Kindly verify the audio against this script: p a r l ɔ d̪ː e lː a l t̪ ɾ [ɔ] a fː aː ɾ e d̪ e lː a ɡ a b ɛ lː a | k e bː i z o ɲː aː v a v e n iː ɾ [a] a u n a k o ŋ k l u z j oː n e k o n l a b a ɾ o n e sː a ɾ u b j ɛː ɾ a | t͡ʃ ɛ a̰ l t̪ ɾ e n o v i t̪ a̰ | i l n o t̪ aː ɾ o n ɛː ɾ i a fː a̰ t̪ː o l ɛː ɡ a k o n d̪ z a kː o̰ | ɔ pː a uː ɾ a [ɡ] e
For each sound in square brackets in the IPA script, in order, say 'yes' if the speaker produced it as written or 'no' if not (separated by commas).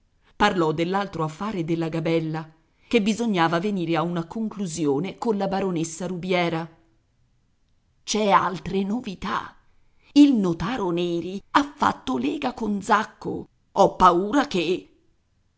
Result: no, no, no